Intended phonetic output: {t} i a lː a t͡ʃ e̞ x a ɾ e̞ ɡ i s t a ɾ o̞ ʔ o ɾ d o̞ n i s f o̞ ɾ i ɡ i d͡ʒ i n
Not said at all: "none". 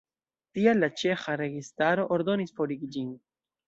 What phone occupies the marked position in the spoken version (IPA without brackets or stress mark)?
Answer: t